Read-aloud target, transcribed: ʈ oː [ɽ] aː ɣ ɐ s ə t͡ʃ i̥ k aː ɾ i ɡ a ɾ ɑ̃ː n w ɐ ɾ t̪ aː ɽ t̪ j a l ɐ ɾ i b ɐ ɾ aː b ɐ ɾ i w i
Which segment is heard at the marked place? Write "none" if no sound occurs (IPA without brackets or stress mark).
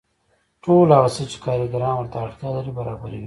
l